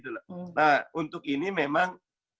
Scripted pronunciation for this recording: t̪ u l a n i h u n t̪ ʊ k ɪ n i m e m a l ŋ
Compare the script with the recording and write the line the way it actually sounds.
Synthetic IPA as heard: t̪ u l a n a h u n t̪ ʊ k i n i m e m a ŋ